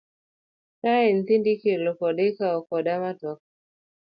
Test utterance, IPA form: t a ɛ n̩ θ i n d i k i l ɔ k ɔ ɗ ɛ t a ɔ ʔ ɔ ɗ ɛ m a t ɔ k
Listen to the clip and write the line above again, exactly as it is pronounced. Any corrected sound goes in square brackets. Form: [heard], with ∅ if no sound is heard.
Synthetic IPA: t a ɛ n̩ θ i n d i k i l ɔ k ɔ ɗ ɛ [k] a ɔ [k] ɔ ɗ [a] m a t ɔ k